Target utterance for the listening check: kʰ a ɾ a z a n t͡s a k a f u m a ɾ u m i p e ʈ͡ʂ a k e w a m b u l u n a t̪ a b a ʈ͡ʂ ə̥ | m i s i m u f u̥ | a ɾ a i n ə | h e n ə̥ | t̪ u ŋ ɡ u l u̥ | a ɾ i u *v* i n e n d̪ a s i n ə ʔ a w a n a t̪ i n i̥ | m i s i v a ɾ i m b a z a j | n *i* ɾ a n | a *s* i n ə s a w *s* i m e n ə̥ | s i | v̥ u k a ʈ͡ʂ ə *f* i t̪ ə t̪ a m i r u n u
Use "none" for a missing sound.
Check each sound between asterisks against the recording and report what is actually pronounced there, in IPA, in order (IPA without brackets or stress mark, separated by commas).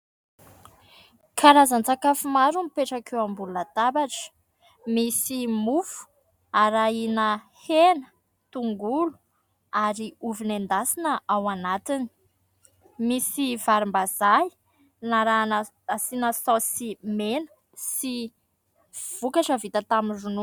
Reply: v, a, s, s, v